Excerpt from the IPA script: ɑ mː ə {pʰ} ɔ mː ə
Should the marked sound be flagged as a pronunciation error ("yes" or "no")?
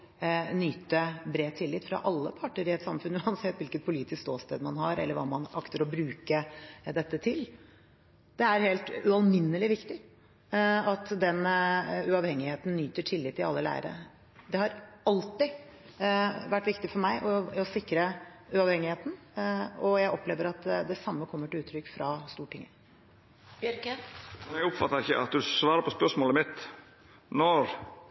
yes